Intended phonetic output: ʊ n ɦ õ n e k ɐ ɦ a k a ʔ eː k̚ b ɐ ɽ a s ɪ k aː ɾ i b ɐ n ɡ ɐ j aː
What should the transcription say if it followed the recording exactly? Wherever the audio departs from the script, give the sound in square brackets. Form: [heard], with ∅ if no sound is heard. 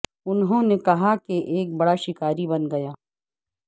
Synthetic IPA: ʊ n ɦ õ n e k ɐ ɦ a k [e] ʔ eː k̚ b ɐ ɽ a [ʃ] ɪ k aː ɾ i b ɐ n ɡ ɐ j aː

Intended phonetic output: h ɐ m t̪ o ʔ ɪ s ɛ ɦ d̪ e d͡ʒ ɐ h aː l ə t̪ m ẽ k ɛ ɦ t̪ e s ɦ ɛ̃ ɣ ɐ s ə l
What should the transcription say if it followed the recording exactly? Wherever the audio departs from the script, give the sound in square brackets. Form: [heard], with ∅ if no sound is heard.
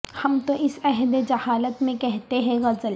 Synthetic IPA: h ɐ m t̪ o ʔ ɪ s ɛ ɦ d̪ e d͡ʒ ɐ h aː l ə t̪ m ẽ k ɛ ɦ t̪ e [∅] ɦ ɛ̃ ɣ ɐ [z] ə l

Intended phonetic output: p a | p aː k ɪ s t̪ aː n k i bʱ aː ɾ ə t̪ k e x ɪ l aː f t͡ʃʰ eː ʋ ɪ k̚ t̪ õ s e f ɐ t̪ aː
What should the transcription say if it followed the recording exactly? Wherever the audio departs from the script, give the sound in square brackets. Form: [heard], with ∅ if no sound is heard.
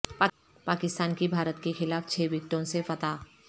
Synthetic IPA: p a | p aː k ɪ s t̪ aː n k i bʱ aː ɾ ə t̪ k e x ɪ l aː f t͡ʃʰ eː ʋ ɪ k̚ t̪ õ s e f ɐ t̪ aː

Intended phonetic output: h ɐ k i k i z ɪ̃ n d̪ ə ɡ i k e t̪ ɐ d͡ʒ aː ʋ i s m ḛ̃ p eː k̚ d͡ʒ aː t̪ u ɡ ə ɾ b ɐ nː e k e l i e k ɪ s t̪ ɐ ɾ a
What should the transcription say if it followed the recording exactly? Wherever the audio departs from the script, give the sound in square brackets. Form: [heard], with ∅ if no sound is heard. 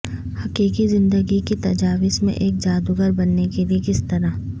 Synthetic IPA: h ɐ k [iː] k i z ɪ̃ n d̪ ə ɡ i k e t̪ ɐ d͡ʒ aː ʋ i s m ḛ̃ [ʔ] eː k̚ d͡ʒ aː [d̪] u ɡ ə ɾ b ɐ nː e k e l i e k ɪ s t̪ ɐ ɾ a

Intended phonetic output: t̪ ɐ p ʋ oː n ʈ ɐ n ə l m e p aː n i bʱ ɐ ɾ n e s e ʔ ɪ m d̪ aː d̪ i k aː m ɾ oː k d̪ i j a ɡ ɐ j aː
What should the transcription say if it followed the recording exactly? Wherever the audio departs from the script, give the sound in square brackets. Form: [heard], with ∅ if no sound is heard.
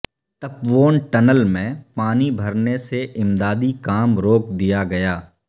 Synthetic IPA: t̪ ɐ p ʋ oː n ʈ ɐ n ə l m [ẽ] p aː n i bʱ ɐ ɾ n e s e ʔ ɪ m d̪ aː d̪ i k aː m ɾ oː k d̪ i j a ɡ ɐ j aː

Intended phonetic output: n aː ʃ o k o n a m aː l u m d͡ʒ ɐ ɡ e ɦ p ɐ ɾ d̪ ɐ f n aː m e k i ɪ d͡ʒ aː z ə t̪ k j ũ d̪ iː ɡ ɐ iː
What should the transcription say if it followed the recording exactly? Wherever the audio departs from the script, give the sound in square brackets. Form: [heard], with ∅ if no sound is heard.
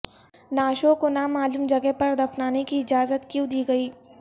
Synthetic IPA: n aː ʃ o k o n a m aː l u m d͡ʒ ɐ ɡ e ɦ p ɐ ɾ d̪ ɐ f n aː [n] e k i ɪ d͡ʒ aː z ə t̪ k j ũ d̪ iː ɡ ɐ iː

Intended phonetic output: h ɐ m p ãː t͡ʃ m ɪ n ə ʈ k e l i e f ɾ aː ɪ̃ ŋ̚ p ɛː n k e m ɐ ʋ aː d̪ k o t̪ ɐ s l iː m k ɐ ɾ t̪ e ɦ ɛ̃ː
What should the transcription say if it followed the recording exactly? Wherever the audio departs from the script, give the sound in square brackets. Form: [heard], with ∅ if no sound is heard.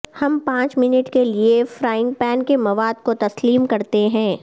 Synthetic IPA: h ɐ m p ãː t͡ʃ m ɪ n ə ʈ k e l i e f ɾ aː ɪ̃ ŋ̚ p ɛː n k e m ɐ ʋ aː d̪ k o t̪ ɐ s l iː m k ɐ ɾ t̪ e ɦ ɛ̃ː

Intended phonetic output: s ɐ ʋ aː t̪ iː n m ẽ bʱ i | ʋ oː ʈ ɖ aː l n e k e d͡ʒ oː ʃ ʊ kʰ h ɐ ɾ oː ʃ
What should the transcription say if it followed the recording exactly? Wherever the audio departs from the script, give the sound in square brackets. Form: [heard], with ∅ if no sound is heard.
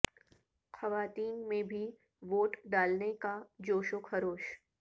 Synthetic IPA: [x] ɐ ʋ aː t̪ iː n m ẽ bʱ i | ʋ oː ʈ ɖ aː l n e k [a] d͡ʒ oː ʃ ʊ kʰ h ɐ ɾ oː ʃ

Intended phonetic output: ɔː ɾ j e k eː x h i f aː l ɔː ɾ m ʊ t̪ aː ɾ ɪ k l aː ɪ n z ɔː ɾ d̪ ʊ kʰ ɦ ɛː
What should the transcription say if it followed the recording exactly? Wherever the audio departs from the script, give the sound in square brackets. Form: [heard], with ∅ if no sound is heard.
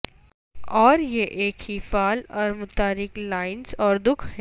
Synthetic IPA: ɔː ɾ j e [ʔ] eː [k] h i f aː l ɔː ɾ m ʊ t̪ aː ɾ ɪ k l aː ɪ n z ɔː ɾ d̪ ʊ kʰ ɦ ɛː

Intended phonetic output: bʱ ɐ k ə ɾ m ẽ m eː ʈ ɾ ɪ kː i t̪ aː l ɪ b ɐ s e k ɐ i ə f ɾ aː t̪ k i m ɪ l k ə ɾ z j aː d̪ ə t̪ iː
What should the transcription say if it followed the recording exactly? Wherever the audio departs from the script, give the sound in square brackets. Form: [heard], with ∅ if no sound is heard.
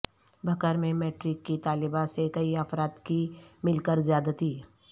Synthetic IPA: bʱ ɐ k ə ɾ m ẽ m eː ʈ ɾ ɪ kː i t̪ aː l ɪ b [a] s e k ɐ i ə f ɾ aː t̪ k i m ɪ l k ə ɾ z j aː d̪ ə t̪ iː

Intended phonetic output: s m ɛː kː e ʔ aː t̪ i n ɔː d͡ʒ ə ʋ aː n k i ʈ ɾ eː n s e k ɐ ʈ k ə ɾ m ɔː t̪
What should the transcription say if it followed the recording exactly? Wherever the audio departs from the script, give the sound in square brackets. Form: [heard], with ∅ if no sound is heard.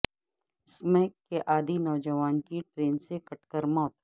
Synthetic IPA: s m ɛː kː e ʔ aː [d̪] i n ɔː d͡ʒ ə ʋ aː n k i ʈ ɾ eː n s e k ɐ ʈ k ə ɾ m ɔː t̪

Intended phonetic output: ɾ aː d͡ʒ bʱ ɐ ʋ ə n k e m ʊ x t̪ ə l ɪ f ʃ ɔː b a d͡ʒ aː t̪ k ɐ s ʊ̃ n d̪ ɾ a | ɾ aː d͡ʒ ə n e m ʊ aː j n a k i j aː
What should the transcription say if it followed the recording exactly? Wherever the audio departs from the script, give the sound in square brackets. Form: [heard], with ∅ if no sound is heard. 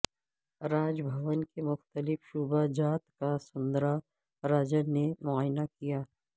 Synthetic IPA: ɾ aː d͡ʒ bʱ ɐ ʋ ə n k e m ʊ x t̪ ə l ɪ f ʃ [uː] b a d͡ʒ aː t̪ k [a] s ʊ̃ n d̪ ɾ a | ɾ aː d͡ʒ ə n e m ʊ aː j n a k i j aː

